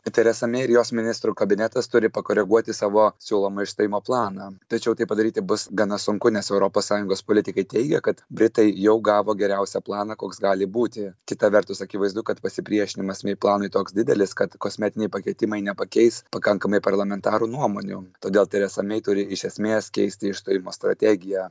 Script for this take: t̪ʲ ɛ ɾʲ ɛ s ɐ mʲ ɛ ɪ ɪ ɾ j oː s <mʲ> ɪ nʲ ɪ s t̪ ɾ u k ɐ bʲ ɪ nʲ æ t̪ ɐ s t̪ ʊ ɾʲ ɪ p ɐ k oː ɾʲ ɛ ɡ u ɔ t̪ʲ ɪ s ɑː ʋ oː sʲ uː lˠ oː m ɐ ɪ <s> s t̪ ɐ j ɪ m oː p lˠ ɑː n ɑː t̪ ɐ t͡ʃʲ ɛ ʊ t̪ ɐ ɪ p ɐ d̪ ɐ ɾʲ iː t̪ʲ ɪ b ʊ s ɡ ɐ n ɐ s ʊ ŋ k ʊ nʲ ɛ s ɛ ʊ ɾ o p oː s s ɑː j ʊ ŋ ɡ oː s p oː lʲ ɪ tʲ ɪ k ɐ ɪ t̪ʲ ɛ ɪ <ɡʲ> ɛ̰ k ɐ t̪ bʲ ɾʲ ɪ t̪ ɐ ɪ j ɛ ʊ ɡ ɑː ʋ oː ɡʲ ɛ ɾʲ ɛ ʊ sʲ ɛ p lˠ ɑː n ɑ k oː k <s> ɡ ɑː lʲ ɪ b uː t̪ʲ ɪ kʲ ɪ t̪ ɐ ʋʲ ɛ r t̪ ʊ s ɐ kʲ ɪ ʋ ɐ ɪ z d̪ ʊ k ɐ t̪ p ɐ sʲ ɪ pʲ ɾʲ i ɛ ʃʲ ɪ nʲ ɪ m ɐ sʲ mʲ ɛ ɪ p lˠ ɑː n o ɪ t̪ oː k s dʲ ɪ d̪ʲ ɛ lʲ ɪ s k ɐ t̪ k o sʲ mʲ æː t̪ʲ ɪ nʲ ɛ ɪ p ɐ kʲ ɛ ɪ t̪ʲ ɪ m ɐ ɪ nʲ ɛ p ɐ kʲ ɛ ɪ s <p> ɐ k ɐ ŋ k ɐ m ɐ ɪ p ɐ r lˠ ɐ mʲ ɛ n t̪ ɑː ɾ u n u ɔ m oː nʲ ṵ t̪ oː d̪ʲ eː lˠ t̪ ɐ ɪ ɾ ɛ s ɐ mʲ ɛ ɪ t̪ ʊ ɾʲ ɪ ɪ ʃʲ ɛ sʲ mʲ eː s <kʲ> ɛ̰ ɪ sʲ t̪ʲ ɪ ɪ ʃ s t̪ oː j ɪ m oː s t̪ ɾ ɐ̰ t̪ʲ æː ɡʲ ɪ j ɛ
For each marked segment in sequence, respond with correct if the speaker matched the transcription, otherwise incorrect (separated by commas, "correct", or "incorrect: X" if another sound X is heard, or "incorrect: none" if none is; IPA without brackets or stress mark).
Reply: correct, incorrect: ʃ, correct, correct, correct, correct